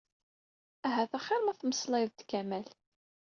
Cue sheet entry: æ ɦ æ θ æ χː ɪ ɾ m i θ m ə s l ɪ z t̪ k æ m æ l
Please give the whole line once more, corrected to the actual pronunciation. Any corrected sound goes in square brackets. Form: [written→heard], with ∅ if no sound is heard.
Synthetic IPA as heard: æ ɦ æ θ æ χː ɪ ɾ m [i→æ] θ m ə s l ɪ [z→ð] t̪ k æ m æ l